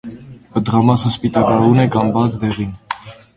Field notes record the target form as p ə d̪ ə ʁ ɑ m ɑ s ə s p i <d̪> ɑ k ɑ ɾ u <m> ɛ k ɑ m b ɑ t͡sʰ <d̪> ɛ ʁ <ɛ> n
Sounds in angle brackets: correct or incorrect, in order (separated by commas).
incorrect, incorrect, correct, incorrect